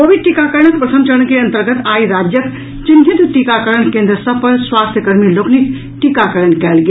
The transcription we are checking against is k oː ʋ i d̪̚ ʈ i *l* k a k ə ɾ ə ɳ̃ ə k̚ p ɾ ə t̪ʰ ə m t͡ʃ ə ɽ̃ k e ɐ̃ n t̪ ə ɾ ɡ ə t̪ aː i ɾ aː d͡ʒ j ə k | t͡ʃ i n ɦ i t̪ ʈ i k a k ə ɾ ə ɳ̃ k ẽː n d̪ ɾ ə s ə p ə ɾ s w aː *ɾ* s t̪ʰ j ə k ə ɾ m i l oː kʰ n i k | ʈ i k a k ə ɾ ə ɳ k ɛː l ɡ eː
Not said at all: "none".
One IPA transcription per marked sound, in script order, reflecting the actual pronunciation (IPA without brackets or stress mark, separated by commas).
none, none